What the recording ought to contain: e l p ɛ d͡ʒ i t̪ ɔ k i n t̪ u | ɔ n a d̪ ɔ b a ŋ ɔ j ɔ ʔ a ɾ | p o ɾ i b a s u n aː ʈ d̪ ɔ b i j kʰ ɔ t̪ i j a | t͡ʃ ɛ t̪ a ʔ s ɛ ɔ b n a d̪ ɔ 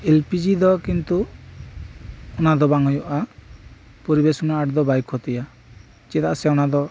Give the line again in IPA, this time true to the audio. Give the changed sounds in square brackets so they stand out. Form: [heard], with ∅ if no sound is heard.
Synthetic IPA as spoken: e l p [i] d͡ʒ i [d̪] ɔ k i n t̪ u | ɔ n a d̪ ɔ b a ŋ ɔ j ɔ ʔ a [∅] | p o ɾ i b [e] s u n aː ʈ d̪ ɔ b [a] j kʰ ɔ t̪ i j a | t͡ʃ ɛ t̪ a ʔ s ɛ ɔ [∅] n a d̪ ɔ